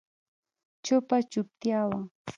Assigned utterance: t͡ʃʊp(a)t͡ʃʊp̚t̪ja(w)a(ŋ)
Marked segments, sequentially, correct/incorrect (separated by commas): correct, correct, correct